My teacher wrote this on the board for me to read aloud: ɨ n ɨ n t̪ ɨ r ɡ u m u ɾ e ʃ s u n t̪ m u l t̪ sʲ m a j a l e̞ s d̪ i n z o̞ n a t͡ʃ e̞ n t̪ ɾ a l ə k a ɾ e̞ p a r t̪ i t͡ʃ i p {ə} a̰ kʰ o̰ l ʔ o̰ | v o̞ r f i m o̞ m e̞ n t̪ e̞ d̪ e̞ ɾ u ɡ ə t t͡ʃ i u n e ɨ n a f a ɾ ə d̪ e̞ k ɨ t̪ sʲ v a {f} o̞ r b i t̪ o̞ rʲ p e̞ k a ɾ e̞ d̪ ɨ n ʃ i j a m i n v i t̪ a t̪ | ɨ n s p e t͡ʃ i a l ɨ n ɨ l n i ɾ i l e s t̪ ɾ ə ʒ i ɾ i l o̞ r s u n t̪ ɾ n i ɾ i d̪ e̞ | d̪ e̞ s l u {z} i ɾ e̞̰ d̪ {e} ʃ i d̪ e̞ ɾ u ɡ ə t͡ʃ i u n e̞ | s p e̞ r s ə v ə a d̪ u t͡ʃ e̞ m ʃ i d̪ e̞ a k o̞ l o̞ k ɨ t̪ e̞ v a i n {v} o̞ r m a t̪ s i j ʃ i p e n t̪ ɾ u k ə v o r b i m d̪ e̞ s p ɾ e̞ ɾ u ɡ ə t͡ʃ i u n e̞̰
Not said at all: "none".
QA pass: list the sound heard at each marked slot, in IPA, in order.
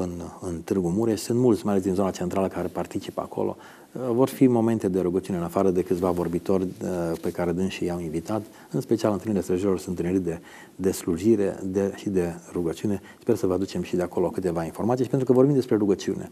ə, v, ʒ, e, f

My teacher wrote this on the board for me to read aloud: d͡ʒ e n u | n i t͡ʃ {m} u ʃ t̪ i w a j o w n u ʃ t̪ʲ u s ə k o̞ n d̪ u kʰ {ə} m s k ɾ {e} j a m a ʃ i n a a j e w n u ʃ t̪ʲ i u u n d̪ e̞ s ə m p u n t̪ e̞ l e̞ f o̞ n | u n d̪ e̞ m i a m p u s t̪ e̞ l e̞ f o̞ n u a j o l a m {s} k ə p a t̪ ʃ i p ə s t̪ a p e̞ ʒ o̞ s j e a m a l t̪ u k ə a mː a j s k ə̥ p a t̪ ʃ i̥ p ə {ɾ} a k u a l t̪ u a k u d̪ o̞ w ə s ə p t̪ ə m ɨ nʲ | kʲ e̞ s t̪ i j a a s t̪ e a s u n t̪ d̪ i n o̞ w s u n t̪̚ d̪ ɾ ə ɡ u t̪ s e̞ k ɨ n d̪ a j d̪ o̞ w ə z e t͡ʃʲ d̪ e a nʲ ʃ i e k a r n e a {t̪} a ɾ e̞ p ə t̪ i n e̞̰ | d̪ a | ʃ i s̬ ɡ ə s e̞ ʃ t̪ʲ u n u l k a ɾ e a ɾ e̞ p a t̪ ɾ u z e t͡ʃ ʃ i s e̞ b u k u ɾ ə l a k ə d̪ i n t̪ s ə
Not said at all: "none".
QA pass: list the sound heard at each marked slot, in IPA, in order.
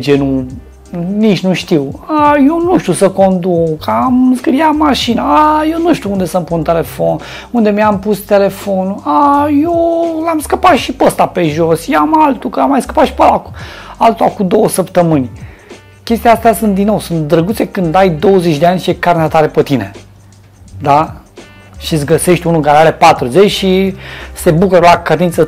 n, a, i, s, l, t̪

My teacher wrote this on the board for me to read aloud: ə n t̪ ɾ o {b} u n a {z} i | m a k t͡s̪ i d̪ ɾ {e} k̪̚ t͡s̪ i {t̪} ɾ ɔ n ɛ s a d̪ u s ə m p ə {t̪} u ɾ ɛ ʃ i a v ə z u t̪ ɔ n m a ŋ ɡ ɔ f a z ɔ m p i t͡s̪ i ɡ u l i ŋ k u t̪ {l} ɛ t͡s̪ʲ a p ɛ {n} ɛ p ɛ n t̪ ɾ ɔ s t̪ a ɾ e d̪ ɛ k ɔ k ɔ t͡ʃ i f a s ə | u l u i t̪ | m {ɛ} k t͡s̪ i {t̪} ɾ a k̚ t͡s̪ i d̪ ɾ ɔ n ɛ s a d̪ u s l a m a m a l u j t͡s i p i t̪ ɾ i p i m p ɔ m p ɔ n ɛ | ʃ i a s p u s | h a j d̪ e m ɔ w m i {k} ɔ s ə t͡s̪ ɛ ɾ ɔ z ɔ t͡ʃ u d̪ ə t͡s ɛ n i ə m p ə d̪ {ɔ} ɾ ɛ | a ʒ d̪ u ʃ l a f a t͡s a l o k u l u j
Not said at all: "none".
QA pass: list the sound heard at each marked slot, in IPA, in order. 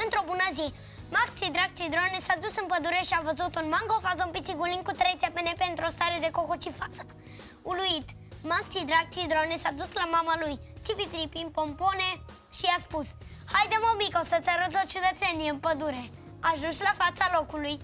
b, z, a, d̪, d̪, ɾ, n, a, d̪, k, u

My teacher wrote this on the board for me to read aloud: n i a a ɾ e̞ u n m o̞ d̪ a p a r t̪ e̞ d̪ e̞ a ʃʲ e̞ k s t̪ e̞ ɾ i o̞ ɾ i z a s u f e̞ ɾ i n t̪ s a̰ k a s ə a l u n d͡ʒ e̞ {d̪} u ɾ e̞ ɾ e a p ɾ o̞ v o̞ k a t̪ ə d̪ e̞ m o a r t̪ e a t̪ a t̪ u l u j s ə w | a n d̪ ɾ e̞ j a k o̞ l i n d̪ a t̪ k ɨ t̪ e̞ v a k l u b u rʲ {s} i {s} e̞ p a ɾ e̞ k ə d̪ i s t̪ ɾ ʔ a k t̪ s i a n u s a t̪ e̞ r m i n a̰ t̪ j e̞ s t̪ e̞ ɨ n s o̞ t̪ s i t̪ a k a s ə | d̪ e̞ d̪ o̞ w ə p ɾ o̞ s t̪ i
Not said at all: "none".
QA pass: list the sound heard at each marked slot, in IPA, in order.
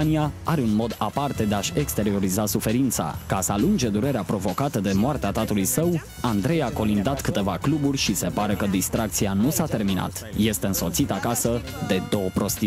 d̪, ʃ, s

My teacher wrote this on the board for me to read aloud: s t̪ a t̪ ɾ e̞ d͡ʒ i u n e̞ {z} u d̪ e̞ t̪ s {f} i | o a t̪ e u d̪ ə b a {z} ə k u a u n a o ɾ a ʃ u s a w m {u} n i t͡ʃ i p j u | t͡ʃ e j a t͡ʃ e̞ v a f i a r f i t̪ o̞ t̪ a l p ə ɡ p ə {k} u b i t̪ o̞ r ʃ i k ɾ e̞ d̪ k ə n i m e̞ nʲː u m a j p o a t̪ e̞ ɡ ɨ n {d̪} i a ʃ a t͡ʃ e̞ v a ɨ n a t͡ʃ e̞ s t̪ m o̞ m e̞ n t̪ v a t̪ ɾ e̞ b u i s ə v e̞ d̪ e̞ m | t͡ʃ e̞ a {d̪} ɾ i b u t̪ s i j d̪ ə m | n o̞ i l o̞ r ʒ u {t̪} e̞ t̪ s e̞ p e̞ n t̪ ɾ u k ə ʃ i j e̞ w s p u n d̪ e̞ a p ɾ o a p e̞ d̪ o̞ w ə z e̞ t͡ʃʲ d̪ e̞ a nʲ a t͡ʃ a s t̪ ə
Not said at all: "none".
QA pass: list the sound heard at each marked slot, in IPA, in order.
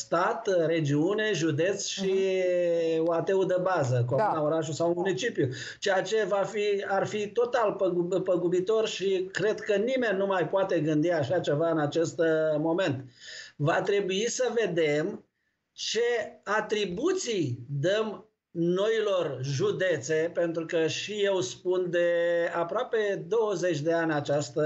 ʒ, ʃ, z, u, ɡ, d̪, t̪, d̪

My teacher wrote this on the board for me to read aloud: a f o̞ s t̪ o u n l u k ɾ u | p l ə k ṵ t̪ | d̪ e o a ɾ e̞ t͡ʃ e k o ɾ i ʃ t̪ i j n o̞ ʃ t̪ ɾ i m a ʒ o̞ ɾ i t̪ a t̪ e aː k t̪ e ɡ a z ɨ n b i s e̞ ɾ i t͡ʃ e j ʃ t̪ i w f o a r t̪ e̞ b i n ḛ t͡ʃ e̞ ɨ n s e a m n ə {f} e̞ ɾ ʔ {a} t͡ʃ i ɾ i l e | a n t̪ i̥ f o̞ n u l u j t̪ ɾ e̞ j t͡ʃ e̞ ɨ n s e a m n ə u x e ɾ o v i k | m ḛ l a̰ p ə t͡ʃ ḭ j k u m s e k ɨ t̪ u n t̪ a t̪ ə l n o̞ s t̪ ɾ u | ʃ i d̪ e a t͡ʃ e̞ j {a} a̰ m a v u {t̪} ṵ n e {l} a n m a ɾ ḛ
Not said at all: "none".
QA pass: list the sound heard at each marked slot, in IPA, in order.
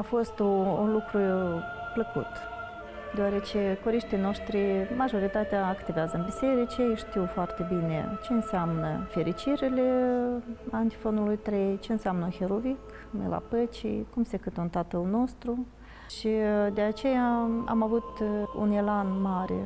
f, i, a, t̪, l

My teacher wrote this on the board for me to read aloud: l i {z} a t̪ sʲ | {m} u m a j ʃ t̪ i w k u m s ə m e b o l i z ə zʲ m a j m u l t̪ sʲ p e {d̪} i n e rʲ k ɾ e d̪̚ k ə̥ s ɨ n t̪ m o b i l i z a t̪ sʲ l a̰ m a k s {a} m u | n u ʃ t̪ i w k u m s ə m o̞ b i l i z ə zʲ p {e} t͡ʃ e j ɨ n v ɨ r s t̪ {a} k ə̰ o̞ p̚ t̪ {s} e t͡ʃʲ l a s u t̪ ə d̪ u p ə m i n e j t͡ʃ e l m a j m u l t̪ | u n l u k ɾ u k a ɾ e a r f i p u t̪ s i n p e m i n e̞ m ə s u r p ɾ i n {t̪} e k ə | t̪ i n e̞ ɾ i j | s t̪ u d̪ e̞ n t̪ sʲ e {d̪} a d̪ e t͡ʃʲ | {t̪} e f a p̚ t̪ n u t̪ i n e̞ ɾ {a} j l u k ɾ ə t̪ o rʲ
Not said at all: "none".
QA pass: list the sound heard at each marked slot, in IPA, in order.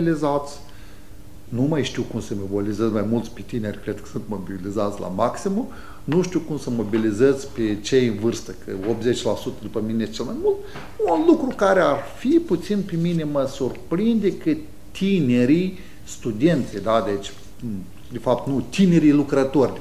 z, n, t̪, i, e, ə, z, d̪, d̪, d̪, i

